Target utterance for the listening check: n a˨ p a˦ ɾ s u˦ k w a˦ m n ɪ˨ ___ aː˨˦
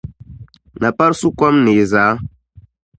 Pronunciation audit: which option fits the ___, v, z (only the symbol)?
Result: z